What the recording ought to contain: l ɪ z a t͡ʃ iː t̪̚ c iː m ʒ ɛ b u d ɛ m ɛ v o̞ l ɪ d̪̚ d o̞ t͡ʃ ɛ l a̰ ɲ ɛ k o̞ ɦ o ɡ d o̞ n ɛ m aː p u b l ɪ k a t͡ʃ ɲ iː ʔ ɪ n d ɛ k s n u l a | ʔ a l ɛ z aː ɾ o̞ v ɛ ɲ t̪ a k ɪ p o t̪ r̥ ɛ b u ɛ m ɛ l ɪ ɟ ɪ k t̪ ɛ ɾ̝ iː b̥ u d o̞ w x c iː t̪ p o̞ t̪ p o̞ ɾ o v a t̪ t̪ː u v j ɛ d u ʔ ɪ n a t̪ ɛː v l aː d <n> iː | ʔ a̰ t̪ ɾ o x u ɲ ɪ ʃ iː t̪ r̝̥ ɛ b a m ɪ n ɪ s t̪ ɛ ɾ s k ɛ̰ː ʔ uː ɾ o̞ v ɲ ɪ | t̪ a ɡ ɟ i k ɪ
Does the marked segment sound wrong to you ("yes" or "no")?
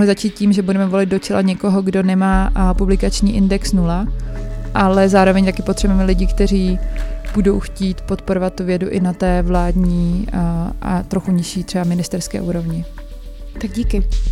yes